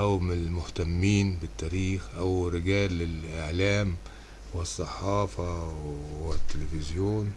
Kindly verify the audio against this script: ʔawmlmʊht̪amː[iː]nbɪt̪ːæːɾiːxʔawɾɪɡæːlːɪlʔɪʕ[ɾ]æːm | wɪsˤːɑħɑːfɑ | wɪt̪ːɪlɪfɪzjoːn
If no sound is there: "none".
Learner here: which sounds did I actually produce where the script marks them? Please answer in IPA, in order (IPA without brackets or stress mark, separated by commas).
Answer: iː, l